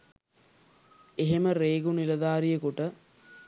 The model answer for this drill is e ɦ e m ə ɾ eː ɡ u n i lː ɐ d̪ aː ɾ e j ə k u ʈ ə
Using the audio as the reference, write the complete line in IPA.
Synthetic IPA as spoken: e ɦ e m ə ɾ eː ɡ u n i l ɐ d̪ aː ɾ i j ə k u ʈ ə